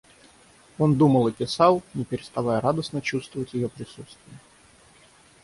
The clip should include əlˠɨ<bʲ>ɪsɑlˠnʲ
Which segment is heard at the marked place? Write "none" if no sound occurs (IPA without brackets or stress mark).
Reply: pʲ